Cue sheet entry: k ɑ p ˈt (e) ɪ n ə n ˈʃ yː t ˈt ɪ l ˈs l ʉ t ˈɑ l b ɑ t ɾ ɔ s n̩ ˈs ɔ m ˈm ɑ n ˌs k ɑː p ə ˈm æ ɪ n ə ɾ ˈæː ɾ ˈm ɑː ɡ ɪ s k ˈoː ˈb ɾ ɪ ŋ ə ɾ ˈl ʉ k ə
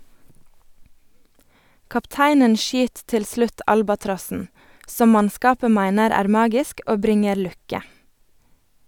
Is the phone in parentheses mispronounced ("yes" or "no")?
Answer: yes